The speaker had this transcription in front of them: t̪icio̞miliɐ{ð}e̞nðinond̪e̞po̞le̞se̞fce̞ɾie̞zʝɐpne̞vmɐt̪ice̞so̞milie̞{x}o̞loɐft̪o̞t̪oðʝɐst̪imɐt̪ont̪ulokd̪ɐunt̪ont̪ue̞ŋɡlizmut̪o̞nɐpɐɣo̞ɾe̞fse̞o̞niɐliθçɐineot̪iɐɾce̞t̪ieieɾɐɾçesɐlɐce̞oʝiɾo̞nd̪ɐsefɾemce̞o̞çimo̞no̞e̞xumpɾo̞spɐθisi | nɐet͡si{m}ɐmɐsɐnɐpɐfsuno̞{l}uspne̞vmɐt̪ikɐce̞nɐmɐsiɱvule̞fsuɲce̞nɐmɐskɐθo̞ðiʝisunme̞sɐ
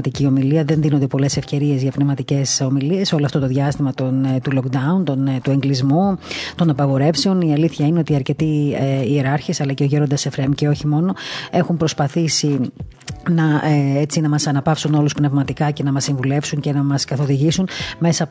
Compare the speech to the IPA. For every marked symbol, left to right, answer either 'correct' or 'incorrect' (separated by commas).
correct, incorrect, incorrect, correct